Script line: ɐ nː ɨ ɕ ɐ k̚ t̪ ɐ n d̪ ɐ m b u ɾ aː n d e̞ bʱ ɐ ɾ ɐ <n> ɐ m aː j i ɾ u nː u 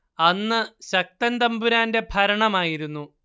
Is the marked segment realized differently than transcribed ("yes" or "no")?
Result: yes